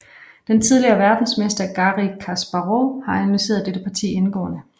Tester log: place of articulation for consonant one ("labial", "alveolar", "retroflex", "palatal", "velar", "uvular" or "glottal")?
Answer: alveolar